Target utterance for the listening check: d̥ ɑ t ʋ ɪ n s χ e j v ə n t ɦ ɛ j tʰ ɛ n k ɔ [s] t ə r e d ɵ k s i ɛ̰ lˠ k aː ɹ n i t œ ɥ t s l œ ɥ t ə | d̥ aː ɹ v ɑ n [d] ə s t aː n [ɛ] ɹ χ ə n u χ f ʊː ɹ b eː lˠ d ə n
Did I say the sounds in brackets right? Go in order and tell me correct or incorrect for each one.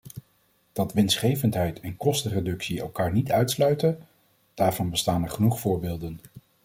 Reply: correct, incorrect, correct

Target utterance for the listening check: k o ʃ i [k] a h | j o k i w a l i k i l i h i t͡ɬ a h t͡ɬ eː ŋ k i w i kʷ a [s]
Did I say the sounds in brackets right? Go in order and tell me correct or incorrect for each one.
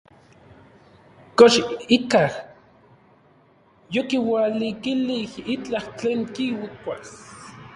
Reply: correct, correct

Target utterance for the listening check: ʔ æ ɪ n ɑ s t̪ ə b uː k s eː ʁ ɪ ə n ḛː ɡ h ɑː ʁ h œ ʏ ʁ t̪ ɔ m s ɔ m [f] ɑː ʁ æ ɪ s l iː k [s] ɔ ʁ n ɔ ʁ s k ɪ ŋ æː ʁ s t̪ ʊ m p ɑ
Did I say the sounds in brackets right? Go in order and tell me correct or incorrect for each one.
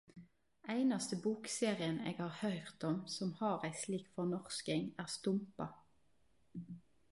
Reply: incorrect, incorrect

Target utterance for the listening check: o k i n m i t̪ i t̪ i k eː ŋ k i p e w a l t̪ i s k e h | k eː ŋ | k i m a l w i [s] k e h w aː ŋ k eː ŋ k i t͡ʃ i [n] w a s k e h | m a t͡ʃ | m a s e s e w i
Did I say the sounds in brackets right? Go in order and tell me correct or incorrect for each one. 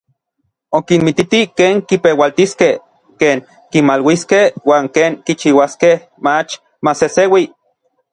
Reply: correct, incorrect

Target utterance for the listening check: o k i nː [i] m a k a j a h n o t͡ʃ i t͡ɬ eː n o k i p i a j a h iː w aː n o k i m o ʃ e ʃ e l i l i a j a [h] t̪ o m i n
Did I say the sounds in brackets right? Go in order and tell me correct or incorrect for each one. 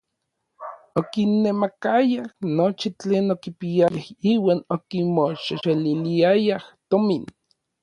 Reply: incorrect, correct

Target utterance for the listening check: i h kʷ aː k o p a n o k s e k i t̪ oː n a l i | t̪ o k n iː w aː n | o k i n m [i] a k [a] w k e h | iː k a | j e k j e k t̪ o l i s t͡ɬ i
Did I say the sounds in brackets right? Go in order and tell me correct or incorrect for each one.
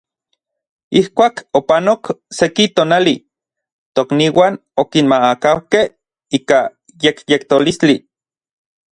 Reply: incorrect, correct

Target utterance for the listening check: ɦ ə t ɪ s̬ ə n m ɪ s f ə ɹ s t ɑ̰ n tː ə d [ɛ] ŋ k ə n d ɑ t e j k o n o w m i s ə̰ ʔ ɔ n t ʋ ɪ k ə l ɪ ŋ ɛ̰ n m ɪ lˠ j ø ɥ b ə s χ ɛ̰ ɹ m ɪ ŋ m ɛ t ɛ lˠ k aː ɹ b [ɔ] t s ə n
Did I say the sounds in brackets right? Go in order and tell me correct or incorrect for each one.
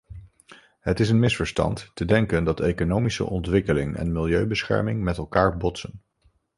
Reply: correct, correct

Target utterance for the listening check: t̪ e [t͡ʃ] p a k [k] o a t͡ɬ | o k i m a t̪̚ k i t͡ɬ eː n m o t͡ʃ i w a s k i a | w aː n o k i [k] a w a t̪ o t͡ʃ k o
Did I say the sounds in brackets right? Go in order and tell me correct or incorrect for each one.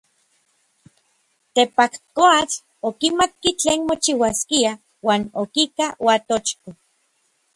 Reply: incorrect, correct, correct

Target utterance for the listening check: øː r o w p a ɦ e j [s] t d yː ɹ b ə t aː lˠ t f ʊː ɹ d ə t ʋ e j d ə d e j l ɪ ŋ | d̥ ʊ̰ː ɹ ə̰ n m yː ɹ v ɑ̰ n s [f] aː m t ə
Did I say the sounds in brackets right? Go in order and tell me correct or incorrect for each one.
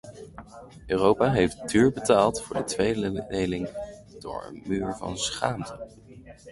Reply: incorrect, incorrect

